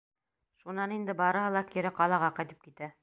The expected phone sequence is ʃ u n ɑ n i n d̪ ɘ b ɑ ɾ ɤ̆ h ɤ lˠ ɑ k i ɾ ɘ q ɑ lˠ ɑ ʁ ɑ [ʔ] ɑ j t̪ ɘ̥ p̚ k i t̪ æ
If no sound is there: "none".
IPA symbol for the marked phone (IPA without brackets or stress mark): q